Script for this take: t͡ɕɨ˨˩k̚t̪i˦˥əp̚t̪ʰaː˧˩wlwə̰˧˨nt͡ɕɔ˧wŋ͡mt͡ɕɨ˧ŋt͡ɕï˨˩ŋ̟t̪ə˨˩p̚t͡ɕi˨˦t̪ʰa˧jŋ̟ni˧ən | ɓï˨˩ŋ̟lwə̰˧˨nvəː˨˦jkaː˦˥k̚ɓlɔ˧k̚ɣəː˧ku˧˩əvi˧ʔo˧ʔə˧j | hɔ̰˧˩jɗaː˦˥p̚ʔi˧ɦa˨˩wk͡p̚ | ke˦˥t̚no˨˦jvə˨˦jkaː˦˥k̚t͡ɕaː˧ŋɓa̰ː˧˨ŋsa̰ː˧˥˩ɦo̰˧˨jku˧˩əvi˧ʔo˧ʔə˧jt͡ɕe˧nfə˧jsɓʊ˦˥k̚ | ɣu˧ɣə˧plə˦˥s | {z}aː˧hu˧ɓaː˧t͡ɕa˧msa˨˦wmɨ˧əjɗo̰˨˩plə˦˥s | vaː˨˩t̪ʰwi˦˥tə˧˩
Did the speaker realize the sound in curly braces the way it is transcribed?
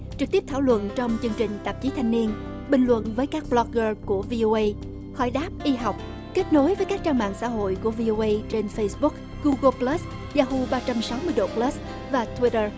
yes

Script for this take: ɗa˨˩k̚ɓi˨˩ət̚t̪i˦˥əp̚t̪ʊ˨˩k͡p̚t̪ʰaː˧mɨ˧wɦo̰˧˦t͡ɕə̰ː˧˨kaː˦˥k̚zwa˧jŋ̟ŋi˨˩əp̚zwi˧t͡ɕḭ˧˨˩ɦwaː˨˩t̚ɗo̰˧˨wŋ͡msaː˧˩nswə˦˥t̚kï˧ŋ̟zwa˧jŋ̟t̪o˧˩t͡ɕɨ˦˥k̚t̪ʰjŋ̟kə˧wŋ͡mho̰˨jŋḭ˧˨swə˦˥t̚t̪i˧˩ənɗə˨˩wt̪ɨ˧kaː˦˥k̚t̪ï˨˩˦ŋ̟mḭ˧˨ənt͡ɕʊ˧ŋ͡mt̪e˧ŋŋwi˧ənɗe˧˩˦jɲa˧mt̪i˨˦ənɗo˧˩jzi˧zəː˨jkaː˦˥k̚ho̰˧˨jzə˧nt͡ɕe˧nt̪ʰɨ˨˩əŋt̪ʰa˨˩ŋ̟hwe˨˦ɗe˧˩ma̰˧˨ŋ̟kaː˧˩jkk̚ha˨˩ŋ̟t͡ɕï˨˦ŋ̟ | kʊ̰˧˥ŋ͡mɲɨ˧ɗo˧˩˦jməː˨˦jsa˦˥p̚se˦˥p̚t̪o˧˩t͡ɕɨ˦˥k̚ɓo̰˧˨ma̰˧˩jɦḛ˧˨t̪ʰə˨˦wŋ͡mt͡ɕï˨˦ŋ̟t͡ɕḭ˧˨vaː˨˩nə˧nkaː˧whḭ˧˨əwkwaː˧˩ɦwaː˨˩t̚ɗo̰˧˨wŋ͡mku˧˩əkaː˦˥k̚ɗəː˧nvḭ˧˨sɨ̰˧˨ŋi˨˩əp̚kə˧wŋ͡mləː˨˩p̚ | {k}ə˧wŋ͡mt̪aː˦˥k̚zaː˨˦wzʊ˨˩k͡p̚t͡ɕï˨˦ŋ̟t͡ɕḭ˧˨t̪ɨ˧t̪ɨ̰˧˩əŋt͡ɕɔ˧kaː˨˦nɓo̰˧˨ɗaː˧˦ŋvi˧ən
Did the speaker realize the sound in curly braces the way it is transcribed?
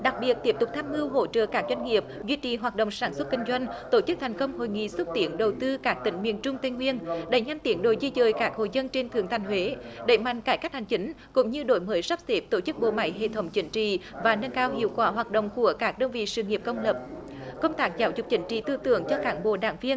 yes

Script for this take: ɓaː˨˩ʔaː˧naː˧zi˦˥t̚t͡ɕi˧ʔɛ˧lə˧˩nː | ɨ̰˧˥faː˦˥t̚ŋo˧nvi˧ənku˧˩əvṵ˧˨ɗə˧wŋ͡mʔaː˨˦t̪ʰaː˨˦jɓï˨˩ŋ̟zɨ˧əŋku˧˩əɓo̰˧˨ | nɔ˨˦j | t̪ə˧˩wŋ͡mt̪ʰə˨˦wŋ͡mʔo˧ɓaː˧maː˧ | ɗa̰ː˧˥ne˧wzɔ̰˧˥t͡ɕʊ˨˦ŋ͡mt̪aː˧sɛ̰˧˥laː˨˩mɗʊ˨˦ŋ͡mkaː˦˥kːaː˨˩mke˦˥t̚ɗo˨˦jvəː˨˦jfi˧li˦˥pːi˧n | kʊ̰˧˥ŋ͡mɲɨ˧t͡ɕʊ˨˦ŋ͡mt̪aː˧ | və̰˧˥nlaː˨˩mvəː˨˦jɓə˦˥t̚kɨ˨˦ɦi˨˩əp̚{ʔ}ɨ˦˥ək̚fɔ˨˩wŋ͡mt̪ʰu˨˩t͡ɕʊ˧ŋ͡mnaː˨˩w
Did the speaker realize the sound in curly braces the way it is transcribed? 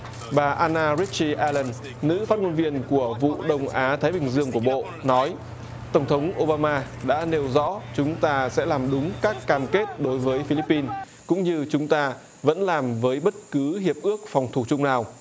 yes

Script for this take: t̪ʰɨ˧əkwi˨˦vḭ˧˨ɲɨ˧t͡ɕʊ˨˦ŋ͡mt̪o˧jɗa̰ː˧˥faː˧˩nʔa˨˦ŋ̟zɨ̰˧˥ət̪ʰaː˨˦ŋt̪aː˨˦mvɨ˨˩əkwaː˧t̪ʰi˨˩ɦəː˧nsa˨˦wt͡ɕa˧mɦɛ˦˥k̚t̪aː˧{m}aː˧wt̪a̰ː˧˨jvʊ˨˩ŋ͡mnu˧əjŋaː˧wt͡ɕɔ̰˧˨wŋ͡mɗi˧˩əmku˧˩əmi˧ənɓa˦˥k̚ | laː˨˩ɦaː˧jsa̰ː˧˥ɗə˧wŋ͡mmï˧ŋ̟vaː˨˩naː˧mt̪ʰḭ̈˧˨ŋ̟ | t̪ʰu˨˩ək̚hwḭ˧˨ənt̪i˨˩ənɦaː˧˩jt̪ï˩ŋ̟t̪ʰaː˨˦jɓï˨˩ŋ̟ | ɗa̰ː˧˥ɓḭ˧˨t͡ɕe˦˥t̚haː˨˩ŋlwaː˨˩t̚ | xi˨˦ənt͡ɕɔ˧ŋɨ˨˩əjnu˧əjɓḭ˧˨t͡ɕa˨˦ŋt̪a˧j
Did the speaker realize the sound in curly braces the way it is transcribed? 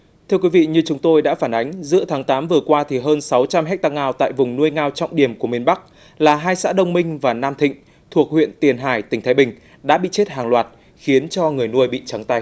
no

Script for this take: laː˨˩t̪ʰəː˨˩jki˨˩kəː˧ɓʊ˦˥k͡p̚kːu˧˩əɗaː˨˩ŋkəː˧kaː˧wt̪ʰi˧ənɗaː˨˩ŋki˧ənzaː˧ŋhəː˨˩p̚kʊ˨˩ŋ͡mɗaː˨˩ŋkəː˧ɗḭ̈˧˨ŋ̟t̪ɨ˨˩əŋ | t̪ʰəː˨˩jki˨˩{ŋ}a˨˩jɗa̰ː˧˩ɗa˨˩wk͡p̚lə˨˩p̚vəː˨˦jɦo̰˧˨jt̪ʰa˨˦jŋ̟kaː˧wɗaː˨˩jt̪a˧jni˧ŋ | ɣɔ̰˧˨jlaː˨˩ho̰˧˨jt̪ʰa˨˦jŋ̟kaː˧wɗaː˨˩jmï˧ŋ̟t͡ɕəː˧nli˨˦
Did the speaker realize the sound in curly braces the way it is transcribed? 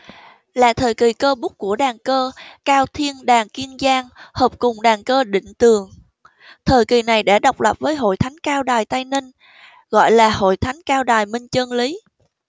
no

